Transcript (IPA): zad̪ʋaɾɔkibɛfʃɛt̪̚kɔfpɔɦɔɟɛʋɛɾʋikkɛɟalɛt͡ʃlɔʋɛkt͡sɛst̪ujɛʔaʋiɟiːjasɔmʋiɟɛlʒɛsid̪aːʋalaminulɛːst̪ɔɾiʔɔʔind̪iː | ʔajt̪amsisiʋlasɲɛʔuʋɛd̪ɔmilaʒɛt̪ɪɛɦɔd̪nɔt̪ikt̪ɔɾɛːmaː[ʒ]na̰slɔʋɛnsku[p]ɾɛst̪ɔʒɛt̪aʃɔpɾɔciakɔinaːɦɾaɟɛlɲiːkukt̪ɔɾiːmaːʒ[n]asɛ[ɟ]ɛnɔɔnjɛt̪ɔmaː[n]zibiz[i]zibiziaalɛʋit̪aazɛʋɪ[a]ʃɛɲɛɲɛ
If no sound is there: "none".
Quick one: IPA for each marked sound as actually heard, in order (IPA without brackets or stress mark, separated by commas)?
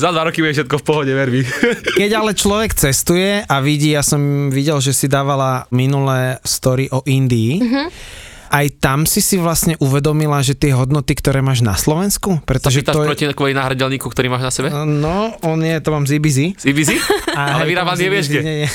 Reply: ʒ, p, n, b, m, i, ɛ